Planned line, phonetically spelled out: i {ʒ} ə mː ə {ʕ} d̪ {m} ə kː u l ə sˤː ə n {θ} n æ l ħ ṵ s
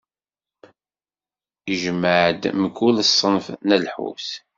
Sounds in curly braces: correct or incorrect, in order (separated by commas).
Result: correct, correct, correct, incorrect